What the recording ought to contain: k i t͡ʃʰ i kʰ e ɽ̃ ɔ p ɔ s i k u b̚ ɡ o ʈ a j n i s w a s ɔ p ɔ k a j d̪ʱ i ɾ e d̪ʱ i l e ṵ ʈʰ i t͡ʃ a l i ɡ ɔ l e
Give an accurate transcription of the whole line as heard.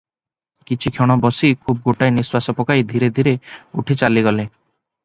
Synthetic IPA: k i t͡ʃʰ i kʰ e ɽ̃ ɔ b ɔ s i kʰ u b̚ ɡ o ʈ a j n i s w a s ɔ p ɔ k a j d̪ʱ i ɾ e d̪ʱ i ɾ e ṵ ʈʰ i t͡ʃ a l i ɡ ɔ l e